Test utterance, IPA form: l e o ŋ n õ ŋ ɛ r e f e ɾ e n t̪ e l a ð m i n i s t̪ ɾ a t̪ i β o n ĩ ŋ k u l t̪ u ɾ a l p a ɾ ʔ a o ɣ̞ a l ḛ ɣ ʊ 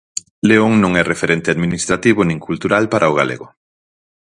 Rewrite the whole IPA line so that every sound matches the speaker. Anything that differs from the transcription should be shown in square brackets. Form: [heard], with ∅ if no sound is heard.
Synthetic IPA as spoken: l e o ŋ n õ ŋ ɛ r e f e ɾ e n t̪ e [∅] a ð m i n i s t̪ ɾ a t̪ i β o n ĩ ŋ k u l t̪ u ɾ a l p a ɾ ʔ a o ɣ̞ a l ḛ ɣ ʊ